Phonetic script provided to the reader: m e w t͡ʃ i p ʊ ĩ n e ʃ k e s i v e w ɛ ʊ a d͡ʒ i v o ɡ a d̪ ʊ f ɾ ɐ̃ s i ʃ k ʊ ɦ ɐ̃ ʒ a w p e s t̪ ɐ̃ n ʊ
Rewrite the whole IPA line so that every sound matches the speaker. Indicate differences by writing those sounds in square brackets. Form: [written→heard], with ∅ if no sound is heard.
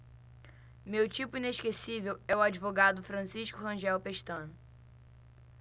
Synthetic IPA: m e w t͡ʃ i p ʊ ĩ n e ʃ k e s i v e w ɛ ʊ a d͡ʒ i v o ɡ a d̪ ʊ f ɾ ɐ̃ s i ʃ k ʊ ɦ ɐ̃ ʒ [a→ɛ] w p e [s→ʃ] t̪ ɐ̃ n ʊ